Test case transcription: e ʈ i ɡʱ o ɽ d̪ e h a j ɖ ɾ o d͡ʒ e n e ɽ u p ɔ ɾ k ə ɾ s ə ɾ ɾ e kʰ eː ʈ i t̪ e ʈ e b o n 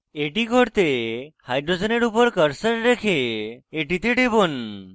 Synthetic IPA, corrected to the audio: e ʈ i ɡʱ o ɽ t̪ e h a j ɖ ɾ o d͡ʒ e n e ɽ u p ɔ ɾ k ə ɾ s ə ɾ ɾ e kʰ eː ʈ i t̪ e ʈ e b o n